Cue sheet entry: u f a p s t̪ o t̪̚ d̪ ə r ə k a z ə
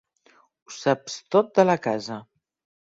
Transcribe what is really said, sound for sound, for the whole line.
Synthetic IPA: u s a p s t̪ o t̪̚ d̪ ə l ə k a z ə